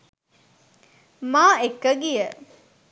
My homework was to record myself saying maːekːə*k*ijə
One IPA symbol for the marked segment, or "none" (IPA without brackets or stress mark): ɡ